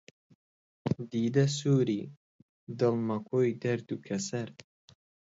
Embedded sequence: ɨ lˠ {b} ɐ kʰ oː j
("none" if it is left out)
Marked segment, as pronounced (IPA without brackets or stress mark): m